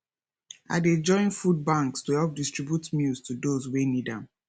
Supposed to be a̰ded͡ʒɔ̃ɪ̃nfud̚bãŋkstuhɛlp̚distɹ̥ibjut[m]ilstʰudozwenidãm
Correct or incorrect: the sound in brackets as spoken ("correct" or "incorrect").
correct